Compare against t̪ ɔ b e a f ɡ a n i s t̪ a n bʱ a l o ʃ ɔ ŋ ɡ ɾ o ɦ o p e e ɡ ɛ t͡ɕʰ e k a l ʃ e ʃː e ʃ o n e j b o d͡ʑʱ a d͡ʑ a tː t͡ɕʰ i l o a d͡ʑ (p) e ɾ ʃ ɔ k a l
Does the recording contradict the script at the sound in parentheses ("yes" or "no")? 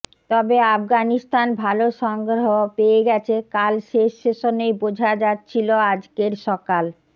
yes